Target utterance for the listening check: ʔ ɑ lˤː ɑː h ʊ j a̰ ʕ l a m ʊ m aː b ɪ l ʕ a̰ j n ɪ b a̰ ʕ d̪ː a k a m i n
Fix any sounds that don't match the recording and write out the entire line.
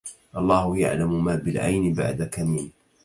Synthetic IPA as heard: ʔ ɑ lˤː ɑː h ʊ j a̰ ʕ l a m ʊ m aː b ɪ l ʕ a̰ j n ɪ b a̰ ʕ d̪ a k a m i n